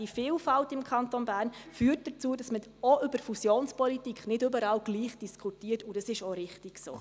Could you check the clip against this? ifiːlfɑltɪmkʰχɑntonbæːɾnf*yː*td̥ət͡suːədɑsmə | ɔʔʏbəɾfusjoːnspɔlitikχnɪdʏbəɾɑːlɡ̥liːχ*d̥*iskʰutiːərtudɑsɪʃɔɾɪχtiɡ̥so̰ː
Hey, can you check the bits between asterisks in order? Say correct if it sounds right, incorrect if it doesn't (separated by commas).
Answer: correct, correct